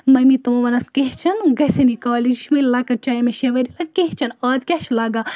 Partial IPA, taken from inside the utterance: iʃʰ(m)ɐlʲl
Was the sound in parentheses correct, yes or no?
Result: yes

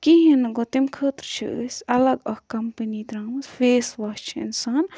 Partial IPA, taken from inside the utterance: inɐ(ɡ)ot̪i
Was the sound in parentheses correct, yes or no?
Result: yes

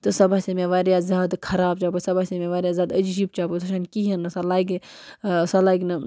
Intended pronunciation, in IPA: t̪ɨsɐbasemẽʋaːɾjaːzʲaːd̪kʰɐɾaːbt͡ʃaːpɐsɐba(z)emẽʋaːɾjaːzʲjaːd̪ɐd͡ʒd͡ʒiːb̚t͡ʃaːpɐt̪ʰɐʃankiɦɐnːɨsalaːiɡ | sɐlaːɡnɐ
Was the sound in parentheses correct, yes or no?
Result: no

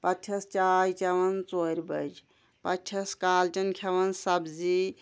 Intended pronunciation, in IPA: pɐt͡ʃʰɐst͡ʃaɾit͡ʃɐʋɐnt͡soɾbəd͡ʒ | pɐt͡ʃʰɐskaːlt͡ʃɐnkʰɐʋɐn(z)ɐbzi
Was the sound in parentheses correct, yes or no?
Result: no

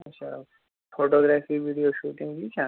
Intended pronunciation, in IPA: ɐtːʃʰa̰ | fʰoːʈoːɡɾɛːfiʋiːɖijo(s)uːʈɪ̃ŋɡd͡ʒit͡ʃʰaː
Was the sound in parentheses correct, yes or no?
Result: no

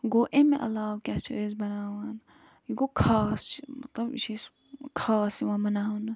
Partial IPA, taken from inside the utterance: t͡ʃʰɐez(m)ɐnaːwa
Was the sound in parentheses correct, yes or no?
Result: no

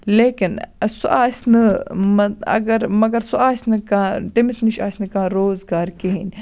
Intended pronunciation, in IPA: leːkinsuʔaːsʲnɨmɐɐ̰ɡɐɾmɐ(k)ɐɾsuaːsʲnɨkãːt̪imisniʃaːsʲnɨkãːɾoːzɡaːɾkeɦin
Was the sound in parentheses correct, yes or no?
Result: no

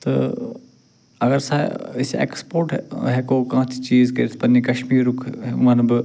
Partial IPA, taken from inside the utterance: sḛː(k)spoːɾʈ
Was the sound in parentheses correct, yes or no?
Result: yes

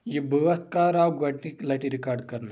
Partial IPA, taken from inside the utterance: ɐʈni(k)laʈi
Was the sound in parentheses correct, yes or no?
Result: yes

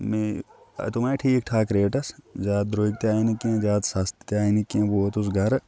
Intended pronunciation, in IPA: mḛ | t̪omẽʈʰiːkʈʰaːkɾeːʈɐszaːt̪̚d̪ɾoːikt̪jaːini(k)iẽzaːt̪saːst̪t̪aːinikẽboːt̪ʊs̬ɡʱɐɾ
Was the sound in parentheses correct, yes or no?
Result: yes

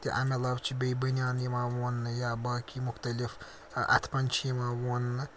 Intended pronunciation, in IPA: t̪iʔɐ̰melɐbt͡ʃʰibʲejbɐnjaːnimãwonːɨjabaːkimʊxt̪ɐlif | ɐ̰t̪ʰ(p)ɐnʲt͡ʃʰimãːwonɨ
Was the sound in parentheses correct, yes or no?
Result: yes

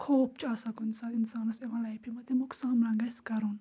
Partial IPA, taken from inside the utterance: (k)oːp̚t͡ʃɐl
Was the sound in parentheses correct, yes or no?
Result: no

